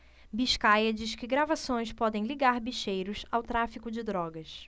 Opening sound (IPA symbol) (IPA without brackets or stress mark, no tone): b